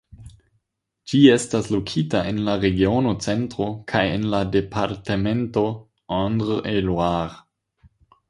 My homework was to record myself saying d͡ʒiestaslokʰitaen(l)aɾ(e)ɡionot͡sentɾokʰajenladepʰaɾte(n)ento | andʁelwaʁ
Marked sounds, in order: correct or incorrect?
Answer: correct, correct, incorrect: m

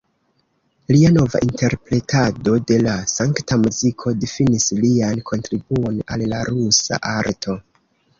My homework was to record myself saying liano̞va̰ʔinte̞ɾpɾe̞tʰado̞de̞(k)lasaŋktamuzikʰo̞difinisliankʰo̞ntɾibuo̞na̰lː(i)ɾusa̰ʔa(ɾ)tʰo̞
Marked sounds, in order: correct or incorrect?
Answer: incorrect: none, incorrect: a, correct

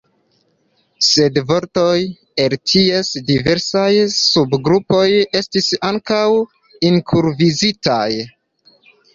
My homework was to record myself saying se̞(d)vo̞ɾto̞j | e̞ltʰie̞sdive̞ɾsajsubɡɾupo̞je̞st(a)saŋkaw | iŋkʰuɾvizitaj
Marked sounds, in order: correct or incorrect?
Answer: correct, incorrect: i

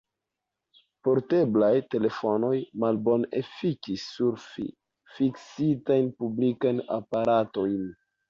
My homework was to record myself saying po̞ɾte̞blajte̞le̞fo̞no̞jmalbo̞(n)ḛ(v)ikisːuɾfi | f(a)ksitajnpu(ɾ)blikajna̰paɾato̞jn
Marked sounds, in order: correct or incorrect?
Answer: correct, incorrect: f, incorrect: i, incorrect: none

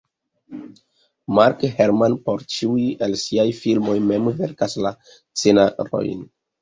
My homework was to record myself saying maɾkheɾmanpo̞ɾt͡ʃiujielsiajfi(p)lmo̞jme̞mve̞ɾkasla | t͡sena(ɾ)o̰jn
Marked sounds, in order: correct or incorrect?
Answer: incorrect: none, correct

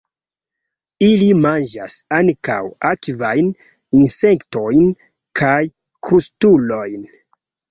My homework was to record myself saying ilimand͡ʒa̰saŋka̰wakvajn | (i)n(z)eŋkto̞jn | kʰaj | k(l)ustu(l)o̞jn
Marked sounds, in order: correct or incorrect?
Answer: correct, incorrect: s, incorrect: ɾ, correct

